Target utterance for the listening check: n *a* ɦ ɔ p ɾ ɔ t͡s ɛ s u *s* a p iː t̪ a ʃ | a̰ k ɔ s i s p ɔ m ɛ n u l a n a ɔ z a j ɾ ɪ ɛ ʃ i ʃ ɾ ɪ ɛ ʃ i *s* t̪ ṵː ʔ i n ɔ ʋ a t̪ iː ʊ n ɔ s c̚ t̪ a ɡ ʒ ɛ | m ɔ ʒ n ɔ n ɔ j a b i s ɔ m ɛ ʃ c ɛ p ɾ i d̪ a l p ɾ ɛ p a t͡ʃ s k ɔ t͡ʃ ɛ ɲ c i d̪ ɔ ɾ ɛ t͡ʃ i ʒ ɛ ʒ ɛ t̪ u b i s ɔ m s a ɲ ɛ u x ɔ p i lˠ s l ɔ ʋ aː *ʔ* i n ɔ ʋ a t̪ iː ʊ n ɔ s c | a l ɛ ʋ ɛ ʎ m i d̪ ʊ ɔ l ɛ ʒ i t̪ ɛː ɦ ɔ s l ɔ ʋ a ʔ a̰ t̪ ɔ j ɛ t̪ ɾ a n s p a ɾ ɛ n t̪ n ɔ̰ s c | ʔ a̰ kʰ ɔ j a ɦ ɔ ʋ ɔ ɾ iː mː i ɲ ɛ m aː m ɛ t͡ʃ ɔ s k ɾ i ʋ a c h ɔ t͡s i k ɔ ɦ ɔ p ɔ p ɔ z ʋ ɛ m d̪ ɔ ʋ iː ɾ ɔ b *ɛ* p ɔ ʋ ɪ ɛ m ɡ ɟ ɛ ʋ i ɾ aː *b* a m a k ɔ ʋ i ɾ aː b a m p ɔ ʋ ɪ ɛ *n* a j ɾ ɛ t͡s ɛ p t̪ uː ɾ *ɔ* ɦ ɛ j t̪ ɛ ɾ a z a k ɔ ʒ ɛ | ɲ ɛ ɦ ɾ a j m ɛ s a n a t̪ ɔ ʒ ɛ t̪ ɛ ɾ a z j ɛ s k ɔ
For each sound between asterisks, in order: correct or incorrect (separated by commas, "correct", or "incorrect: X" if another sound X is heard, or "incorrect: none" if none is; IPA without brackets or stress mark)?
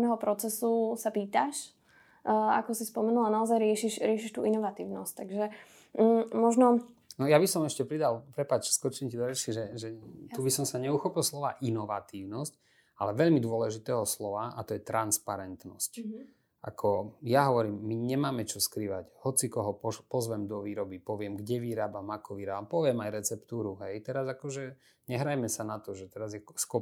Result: incorrect: ɛ, correct, incorrect: ʃ, correct, incorrect: i, correct, incorrect: m, incorrect: u